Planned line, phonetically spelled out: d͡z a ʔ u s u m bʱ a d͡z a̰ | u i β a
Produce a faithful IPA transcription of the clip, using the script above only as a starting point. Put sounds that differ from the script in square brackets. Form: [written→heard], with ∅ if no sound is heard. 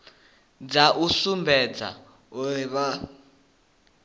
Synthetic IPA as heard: d͡z a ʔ u s u m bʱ [a→ɛ] d͡z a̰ | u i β a

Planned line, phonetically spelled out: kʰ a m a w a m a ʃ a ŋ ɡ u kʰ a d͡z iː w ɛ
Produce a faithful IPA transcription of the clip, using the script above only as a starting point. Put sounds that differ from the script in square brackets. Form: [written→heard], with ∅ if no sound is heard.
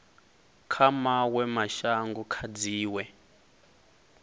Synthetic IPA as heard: kʰ a m a w [a→ɛ] m a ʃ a ŋ ɡ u kʰ a d͡z iː w ɛ

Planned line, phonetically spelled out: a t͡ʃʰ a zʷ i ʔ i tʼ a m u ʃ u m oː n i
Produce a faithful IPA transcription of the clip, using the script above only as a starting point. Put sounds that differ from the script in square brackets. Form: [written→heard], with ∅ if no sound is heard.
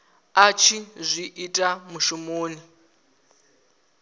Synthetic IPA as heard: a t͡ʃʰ [a→i] zʷ i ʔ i tʼ a m u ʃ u m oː n i

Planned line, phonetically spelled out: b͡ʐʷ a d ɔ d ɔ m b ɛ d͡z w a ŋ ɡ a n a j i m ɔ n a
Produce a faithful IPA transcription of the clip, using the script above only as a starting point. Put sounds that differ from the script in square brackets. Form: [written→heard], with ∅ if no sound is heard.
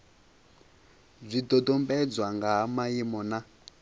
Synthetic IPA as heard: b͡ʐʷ [a→i] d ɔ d ɔ m b ɛ d͡z w a ŋ ɡ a [n→m] a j i m ɔ n a

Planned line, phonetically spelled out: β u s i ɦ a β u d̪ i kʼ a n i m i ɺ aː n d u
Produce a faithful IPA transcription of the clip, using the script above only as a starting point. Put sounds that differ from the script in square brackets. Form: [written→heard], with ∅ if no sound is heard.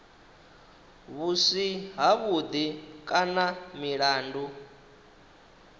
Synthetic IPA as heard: β u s i ɦ a β u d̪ i kʼ a n [i→a] m i ɺ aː n d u

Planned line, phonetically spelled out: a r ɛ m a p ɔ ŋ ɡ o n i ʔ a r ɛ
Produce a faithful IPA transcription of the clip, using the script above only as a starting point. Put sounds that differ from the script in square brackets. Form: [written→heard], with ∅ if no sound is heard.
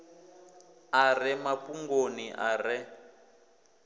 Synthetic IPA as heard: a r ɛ m a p [ɔ→u] ŋ ɡ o n i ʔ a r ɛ

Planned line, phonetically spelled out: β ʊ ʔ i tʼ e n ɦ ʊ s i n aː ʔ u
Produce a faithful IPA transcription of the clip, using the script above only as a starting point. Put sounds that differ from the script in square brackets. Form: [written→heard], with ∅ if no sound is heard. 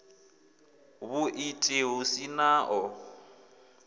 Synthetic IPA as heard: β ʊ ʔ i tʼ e [n→∅] ɦ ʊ s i n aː ʔ [u→ɔ]

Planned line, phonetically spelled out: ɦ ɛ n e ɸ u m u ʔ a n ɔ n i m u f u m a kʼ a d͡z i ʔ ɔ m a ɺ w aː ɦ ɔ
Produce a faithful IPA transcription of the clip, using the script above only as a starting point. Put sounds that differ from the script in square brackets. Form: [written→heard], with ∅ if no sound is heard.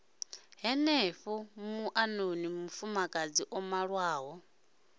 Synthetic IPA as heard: ɦ ɛ n e ɸ u m u ʔ a n [ɔ→o] n i m u f u m a kʼ a d͡z i ʔ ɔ m a ɺ w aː ɦ ɔ

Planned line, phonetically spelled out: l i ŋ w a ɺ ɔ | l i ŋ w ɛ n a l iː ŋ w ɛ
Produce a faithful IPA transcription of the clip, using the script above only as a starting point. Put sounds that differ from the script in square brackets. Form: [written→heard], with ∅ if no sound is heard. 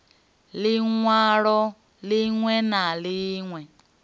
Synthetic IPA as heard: l i ŋ w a ɺ ɔ | l i ŋ w ɛ n a l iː ŋ w ɛ

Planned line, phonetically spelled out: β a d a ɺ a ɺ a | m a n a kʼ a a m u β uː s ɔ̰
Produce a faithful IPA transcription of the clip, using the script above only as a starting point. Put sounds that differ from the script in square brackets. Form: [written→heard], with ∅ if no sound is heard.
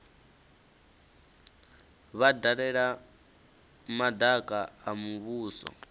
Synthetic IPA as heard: β a d a ɺ [a→ɛ] ɺ a | m a [n→d] a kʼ a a m u β uː s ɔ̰

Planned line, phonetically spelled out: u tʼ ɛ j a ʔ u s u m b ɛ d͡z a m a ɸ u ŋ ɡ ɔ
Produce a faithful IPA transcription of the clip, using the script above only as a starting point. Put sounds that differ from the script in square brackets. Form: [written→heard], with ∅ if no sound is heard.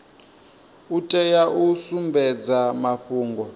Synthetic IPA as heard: u tʼ ɛ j a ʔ u s u m b ɛ d͡z a m a ɸ [u→uː] ŋ ɡ ɔ

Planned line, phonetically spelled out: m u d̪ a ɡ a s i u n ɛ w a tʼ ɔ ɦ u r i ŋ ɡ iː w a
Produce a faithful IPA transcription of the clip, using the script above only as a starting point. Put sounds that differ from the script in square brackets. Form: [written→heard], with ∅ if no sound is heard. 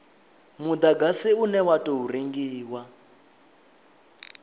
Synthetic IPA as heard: m u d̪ a ɡ a s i u n ɛ w a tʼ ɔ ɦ u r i ŋ ɡ iː w a

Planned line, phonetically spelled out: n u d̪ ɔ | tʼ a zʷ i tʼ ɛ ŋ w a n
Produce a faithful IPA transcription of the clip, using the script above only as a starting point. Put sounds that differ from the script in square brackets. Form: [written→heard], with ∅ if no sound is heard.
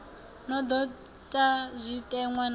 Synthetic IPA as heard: n [u→ɔ] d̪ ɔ | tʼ a zʷ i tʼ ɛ ŋ w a n

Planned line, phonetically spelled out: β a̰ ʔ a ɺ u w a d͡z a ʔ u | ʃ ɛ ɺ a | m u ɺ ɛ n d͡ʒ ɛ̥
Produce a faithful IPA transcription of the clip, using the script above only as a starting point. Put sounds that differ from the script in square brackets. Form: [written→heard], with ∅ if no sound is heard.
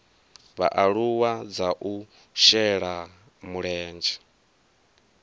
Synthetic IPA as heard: β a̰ ʔ a ɺ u w a d͡z a ʔ u | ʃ ɛ ɺ a | m u ɺ [ɛ→ɛː] n d͡ʒ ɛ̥

